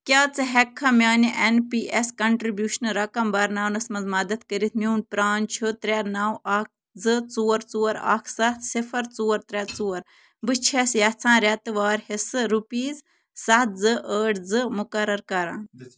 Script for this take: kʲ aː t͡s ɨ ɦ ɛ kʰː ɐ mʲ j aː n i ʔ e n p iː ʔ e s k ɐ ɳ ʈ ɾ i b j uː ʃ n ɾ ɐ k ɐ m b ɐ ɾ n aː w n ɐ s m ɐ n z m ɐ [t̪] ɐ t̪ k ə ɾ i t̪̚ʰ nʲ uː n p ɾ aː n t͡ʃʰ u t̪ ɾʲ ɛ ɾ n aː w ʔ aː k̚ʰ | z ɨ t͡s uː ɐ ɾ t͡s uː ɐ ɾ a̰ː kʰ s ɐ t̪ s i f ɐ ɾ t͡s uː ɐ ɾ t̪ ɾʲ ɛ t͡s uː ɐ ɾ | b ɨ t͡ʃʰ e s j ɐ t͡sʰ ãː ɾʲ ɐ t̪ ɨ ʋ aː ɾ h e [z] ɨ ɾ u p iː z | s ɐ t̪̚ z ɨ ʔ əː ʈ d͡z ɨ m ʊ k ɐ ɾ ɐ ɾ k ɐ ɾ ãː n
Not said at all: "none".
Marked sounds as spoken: d̪, s

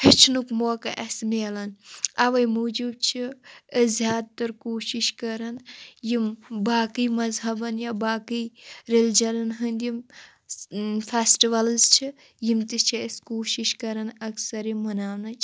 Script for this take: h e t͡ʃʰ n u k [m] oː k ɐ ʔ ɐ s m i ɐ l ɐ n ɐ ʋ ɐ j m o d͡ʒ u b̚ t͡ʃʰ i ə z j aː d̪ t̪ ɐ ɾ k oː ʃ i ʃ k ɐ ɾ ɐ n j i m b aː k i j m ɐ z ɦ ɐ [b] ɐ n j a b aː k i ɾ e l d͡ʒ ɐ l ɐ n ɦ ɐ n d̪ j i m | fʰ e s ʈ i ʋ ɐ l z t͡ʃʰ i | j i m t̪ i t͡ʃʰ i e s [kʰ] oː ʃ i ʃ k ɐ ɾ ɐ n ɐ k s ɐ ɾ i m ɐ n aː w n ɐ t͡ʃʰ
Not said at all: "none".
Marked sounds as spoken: m, b, k

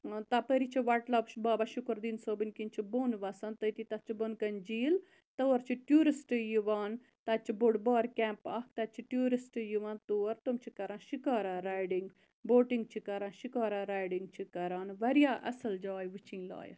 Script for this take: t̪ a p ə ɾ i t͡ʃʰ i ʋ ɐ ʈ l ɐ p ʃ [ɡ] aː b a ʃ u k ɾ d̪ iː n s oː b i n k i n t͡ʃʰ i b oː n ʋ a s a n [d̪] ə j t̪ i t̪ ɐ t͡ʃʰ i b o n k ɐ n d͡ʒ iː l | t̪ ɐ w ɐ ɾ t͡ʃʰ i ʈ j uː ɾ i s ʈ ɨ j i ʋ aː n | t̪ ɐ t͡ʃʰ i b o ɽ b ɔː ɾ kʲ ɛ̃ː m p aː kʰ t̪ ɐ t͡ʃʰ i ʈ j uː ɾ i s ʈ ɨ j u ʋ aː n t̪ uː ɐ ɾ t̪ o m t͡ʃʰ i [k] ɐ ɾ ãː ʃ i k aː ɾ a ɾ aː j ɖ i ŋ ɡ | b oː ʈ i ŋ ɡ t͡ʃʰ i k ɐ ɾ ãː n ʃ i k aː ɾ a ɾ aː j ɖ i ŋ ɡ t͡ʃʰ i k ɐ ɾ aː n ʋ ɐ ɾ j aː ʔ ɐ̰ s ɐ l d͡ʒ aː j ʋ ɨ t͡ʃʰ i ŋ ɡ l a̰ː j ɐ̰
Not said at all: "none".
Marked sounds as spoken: b, t̪, k

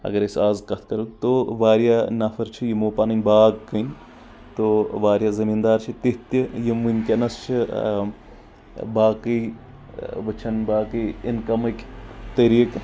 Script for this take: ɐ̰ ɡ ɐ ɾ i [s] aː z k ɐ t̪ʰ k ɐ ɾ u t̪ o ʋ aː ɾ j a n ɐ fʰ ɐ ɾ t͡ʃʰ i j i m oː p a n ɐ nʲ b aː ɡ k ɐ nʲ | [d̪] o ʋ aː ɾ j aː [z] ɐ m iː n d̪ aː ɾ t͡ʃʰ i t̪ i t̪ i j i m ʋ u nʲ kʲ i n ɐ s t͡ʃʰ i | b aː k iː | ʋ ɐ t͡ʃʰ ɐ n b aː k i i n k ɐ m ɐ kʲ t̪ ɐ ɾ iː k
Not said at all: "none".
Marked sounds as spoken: s, t̪, z

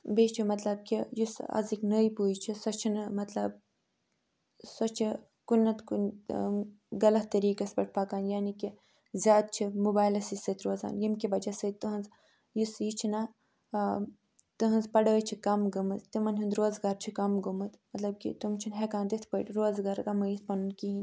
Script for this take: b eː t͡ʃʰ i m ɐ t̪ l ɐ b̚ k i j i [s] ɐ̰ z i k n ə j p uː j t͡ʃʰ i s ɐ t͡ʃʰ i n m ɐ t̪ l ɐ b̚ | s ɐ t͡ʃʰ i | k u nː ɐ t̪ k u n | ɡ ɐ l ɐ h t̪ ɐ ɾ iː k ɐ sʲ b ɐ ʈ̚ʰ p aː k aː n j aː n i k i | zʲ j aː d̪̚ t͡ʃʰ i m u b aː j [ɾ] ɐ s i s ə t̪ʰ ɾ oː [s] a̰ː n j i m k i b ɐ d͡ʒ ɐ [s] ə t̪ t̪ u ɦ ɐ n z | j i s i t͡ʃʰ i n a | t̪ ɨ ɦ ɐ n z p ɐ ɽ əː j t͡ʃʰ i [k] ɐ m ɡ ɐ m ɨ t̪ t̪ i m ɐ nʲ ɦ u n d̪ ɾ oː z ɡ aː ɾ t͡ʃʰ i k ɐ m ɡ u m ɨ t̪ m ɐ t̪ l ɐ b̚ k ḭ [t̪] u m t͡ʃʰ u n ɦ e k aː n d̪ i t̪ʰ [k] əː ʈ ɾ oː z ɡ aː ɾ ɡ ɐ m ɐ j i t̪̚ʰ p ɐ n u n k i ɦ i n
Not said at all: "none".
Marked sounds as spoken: s, l, z, s, k, t̪, p

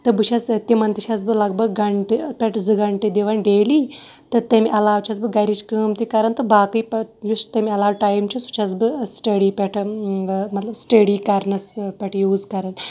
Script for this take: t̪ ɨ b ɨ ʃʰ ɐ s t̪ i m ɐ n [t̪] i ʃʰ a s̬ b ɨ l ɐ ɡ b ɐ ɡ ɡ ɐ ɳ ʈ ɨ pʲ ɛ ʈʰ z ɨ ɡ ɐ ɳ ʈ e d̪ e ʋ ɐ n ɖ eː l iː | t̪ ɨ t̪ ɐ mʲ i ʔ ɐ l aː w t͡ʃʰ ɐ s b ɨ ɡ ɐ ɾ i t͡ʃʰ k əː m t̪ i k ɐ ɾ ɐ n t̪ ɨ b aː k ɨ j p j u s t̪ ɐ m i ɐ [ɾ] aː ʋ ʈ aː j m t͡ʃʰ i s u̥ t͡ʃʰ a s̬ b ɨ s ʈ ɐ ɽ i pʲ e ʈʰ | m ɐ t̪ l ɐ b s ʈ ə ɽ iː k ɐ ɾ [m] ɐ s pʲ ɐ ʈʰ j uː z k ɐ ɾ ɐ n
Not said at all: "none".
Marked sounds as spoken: t̪, l, n

